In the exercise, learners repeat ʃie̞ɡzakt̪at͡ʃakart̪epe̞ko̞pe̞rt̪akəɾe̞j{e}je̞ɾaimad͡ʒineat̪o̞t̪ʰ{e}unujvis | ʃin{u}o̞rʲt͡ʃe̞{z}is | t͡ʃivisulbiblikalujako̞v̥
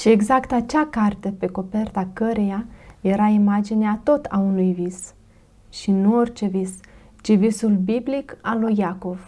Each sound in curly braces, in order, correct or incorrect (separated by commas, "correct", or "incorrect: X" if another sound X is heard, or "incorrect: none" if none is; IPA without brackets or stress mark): incorrect: a, incorrect: a, correct, incorrect: v